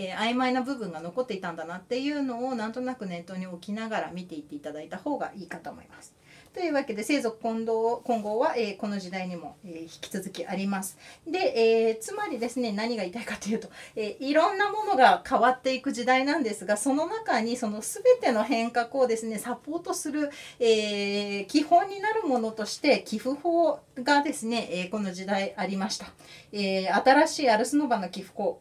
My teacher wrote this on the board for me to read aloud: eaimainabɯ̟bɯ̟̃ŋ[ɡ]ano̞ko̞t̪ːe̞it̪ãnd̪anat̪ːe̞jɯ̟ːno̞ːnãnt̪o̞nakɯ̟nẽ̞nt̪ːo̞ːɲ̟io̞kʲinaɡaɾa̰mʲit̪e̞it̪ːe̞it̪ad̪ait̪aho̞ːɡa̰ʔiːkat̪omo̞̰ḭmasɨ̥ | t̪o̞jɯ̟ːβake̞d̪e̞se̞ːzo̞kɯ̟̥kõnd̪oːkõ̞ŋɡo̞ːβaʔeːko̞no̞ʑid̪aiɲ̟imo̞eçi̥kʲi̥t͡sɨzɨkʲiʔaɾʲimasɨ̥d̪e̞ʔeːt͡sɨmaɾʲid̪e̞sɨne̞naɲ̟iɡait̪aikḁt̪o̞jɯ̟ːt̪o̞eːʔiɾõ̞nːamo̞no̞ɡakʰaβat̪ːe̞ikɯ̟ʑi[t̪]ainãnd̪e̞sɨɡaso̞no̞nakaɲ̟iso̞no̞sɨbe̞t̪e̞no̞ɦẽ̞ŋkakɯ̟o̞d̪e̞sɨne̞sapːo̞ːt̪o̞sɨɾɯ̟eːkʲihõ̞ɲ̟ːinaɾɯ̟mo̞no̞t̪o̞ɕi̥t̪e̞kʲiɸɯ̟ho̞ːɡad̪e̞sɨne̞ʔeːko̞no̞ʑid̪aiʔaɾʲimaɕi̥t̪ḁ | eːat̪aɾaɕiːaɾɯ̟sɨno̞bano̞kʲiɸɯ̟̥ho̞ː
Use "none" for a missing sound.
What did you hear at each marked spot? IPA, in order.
ɡ, d̪

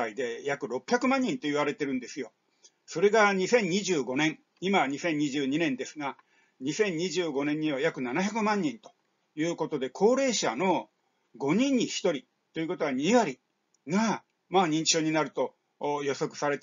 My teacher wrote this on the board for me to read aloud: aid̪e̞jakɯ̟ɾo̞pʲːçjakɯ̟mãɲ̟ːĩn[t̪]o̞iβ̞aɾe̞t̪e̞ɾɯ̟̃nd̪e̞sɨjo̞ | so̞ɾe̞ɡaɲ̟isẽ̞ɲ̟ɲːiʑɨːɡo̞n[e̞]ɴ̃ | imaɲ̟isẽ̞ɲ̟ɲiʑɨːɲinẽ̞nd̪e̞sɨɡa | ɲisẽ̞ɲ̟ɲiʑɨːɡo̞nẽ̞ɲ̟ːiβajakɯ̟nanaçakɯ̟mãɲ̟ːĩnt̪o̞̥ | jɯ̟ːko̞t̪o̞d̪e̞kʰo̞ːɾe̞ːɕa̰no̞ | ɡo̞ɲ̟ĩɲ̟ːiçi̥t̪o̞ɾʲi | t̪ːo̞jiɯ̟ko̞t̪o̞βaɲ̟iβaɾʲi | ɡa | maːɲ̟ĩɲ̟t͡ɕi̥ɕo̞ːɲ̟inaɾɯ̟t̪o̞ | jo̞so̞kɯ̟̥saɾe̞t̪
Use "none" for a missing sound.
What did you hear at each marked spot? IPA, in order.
t̪, ẽ̞

